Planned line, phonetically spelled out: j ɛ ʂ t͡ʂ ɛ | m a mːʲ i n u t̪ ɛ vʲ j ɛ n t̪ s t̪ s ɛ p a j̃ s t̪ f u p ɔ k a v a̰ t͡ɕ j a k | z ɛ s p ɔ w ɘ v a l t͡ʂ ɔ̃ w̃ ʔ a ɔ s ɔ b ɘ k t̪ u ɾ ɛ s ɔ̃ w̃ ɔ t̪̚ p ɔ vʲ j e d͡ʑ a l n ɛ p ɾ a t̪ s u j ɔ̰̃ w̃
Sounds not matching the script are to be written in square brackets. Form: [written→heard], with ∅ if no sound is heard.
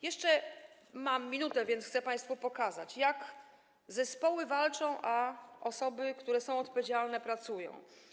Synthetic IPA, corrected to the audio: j ɛ ʂ t͡ʂ ɛ | m a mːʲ i n u t̪ ɛ vʲ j ɛ n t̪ [s→x] t̪ s ɛ p a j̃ s t̪ f u p ɔ k a [v→z] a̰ t͡ɕ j a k | z ɛ s p ɔ w ɘ v a l t͡ʂ ɔ̃ w̃ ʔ a ɔ s ɔ b ɘ k t̪ u ɾ ɛ s ɔ̃ w̃ ɔ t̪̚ p ɔ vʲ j e d͡ʑ a l n ɛ p ɾ a t̪ s u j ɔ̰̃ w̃